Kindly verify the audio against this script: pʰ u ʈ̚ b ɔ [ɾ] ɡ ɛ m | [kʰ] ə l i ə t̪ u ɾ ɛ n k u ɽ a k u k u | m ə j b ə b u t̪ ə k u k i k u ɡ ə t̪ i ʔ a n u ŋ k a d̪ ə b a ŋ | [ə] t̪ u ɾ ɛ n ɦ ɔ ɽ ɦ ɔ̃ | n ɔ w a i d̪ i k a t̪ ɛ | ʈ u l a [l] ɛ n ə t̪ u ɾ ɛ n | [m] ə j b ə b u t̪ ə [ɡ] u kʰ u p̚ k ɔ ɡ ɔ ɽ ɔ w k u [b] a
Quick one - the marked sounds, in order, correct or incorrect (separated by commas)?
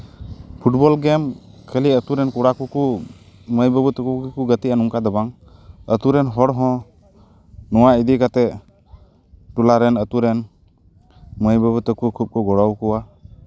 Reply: incorrect, correct, correct, incorrect, correct, incorrect, incorrect